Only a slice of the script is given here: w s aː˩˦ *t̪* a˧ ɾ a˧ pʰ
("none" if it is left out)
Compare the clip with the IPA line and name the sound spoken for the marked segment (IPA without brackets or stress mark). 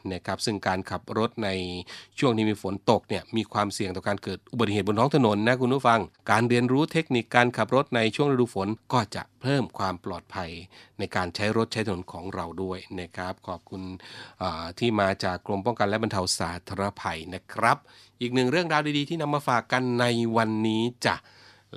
t̪ʰ